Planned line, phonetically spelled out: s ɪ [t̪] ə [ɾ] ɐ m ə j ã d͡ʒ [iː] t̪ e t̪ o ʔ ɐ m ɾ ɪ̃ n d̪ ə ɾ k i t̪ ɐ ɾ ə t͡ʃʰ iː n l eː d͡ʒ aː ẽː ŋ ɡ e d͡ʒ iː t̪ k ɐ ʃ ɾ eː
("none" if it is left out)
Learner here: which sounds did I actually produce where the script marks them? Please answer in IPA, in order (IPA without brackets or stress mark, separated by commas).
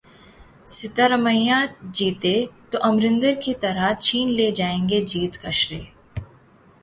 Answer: t̪, ɾ, iː